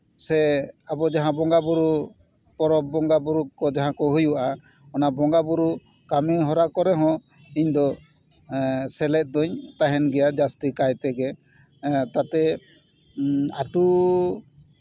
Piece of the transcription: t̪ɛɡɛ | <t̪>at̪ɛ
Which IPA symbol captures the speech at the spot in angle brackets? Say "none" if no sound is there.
t̪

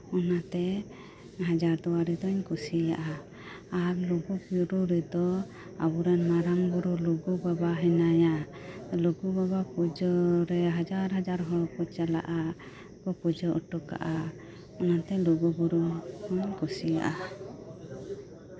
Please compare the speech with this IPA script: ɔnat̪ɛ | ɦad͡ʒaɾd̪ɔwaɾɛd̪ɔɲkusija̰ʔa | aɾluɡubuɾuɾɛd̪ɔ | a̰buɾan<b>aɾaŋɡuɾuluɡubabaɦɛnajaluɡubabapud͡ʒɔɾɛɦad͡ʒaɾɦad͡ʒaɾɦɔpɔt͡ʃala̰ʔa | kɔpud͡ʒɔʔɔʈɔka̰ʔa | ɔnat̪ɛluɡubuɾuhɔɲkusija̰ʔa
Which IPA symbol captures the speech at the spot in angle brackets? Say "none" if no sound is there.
m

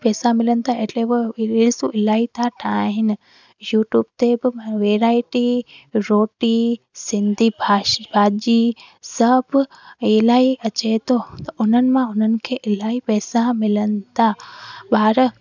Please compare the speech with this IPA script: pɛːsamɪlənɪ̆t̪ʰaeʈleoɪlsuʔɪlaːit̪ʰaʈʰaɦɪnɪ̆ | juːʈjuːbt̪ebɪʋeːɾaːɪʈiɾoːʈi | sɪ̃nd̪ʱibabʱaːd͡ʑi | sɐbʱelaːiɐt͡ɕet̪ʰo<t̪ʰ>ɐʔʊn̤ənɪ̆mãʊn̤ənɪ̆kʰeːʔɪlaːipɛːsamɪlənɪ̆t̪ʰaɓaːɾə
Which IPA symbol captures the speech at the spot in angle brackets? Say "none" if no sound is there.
t̪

